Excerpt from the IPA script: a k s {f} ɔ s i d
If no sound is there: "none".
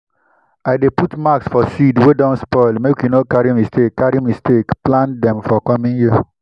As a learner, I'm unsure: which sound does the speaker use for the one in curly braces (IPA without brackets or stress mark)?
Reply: f